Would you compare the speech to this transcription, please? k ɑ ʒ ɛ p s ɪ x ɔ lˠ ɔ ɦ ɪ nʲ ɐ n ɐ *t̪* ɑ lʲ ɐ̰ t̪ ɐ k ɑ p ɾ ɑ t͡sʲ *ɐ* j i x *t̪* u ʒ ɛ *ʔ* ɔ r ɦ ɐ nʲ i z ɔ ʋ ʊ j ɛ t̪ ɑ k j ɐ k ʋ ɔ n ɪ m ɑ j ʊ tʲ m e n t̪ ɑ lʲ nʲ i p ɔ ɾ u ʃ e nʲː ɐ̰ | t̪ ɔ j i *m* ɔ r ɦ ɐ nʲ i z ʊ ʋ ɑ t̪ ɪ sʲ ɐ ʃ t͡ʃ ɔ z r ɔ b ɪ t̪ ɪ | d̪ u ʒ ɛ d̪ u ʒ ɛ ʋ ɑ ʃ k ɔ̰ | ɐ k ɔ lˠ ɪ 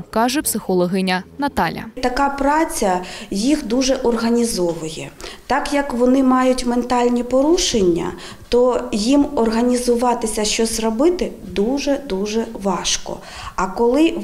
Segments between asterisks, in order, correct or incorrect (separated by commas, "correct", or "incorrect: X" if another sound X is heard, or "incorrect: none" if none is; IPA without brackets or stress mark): correct, correct, incorrect: d̪, correct, correct